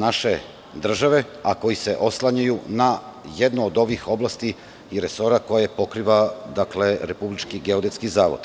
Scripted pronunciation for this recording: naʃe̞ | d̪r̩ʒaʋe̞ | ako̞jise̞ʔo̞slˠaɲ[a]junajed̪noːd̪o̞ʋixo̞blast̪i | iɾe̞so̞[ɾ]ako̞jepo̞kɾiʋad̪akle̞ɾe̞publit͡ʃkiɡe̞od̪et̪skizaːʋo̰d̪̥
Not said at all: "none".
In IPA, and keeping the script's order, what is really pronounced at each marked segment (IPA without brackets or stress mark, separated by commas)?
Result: a, ɾ